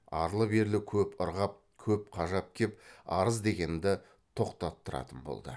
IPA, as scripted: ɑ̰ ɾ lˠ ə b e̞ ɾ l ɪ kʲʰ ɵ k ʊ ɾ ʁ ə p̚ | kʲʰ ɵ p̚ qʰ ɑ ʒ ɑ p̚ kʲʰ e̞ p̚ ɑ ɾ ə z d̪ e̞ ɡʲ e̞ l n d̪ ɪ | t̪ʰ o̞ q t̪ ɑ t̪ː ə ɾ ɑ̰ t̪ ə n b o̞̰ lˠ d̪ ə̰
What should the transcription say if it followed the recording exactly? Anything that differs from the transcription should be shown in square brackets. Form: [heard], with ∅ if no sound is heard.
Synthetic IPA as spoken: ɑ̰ ɾ lˠ ə b e̞ ɾ l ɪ kʲʰ ɵ [p] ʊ ɾ ʁ [ɑ] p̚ | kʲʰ ɵ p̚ qʰ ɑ ʒ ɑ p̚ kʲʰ e̞ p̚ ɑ ɾ ə z d̪ e̞ ɡʲ e̞ [∅] n d̪ ɪ | t̪ʰ o̞ q t̪ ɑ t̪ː ə ɾ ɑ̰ t̪ ə n b o̞̰ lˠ d̪ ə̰

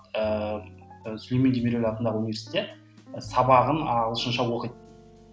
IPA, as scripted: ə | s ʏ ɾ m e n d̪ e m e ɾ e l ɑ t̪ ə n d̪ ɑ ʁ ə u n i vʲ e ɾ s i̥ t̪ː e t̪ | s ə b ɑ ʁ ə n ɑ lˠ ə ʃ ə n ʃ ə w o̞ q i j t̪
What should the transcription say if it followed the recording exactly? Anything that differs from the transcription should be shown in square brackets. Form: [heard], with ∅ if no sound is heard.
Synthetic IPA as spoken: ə | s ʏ [l] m e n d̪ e m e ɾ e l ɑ t̪ ə n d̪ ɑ ʁ ə u n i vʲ e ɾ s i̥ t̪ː e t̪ | s [ɑ] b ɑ ʁ ə n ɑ lˠ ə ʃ ə n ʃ [ɑ] w o̞ q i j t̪

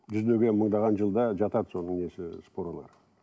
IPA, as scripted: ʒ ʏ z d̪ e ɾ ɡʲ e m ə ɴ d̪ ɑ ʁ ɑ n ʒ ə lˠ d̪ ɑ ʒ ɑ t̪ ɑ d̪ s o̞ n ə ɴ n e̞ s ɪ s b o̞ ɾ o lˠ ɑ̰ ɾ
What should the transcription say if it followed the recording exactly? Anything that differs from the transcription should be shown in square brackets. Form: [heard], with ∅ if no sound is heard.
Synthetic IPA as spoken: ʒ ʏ z d̪ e [∅] ɡʲ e m ə ɴ d̪ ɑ ʁ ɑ n ʒ ə lˠ d̪ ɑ ʒ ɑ t̪ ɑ d̪ s o̞ n ə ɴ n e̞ s ɪ s [p] o̞ ɾ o lˠ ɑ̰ ɾ

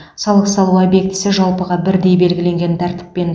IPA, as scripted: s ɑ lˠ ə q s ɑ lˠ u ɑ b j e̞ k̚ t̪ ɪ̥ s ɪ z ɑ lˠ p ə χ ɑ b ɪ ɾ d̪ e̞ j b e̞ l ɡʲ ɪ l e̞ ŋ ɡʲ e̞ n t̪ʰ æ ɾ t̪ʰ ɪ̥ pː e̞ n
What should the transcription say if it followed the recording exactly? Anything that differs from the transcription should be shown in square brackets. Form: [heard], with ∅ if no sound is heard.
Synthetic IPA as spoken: s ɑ lˠ ə q s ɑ lˠ u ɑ b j e̞ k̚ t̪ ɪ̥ s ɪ [ʒ] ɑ lˠ p ə [ʁ] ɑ b ɪ ɾ d̪ e̞ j b e̞ l ɡʲ ɪ l e̞ ŋ ɡʲ e̞ n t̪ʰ æ ɾ [t̪] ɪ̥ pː e̞ n

